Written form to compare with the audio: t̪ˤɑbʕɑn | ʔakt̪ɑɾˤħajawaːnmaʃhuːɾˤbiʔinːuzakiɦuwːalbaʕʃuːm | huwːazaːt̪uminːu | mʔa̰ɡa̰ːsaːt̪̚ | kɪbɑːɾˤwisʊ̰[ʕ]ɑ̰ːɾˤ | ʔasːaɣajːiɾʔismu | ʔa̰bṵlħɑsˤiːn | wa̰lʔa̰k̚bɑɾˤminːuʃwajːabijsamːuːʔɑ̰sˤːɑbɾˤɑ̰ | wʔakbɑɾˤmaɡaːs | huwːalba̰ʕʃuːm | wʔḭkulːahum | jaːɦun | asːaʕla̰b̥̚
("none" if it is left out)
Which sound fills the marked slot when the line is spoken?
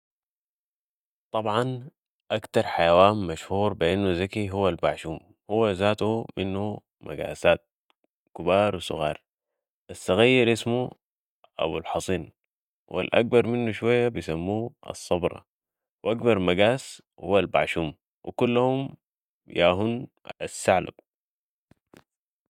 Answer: ɣ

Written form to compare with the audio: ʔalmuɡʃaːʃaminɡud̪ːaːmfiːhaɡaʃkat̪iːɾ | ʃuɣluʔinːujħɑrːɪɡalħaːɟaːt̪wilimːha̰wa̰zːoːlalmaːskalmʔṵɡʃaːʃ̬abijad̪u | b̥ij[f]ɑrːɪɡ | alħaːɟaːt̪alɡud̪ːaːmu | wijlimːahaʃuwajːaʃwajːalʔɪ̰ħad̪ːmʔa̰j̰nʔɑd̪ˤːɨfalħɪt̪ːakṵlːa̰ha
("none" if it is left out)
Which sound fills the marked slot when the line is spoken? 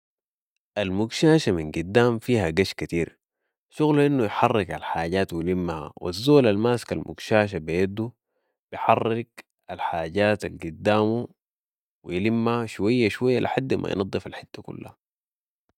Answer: ħ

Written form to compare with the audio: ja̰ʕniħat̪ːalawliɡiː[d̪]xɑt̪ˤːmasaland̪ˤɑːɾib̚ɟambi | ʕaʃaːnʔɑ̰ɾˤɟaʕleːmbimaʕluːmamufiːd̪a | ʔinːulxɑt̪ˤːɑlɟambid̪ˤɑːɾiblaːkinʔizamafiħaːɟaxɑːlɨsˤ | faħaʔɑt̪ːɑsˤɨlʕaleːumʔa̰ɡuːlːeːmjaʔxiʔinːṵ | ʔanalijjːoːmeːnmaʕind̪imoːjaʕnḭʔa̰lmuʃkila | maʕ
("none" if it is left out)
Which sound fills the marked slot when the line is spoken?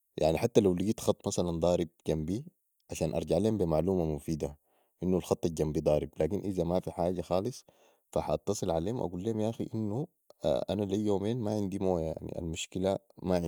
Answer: t̪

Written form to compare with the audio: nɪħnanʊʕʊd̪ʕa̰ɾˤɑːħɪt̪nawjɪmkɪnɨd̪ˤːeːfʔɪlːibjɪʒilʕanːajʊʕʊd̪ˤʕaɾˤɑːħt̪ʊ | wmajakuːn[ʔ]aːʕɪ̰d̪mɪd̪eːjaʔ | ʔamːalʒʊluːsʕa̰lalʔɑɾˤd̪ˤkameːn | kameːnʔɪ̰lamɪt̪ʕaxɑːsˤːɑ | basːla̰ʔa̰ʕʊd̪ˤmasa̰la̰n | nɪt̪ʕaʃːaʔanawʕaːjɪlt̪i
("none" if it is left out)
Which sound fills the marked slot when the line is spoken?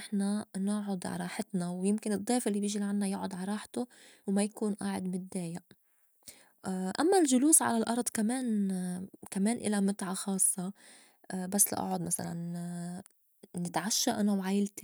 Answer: ʔ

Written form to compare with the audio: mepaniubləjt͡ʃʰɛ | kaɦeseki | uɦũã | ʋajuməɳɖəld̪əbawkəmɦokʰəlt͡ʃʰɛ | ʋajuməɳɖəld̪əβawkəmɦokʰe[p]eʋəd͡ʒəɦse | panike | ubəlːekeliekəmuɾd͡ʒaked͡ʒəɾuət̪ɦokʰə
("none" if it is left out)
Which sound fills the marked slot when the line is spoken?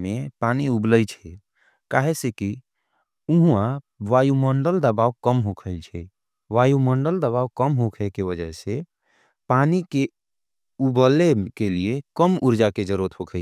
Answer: k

